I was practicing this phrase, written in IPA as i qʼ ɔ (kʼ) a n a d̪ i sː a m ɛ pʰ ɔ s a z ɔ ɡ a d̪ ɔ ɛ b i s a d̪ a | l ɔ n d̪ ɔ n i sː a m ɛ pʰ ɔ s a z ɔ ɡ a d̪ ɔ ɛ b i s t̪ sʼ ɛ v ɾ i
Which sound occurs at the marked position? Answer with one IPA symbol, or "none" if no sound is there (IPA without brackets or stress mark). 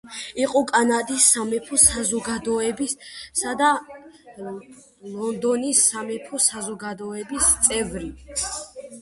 kʼ